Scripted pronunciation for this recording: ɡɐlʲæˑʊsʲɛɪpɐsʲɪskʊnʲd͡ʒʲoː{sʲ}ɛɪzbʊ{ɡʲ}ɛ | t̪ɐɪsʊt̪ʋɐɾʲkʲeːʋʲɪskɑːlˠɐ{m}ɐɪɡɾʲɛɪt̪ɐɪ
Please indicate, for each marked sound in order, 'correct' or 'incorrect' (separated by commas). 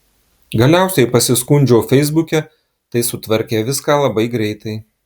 incorrect, incorrect, incorrect